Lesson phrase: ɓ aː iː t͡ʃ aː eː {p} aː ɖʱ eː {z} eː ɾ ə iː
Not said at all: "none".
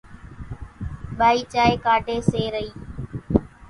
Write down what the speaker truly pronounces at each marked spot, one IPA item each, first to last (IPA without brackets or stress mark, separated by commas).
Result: k, s